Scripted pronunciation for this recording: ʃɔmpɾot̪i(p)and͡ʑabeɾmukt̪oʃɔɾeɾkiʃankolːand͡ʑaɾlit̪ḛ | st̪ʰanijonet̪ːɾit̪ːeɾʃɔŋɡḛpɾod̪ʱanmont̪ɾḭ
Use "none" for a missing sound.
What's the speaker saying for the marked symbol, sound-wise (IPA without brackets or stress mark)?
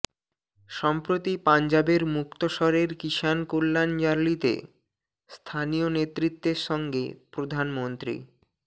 p